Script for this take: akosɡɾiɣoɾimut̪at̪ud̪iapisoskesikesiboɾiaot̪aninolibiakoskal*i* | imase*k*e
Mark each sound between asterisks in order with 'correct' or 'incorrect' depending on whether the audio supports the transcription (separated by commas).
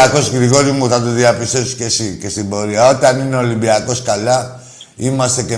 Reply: incorrect, correct